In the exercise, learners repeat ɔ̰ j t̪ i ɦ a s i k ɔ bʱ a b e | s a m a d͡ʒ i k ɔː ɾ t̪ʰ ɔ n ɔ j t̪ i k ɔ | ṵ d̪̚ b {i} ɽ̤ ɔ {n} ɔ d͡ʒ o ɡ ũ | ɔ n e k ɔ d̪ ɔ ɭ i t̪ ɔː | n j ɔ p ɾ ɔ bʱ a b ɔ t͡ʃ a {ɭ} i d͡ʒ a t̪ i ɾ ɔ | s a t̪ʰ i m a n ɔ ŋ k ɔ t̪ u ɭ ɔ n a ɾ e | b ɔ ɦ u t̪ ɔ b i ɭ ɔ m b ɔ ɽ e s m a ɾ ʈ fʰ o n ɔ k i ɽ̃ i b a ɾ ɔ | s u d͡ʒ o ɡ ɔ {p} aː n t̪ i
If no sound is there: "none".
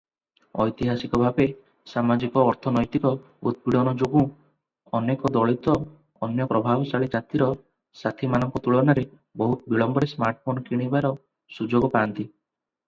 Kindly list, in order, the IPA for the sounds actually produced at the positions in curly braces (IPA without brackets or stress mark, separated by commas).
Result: i, n, ɭ, p